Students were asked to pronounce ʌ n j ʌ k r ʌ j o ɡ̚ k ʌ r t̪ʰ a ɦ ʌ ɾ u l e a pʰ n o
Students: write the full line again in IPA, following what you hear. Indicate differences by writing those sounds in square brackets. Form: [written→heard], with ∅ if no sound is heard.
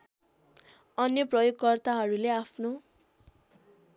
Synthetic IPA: ʌ n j ʌ [k→p] r ʌ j o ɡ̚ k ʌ r [t̪ʰ→t̪] a ɦ ʌ ɾ u l e a pʰ n o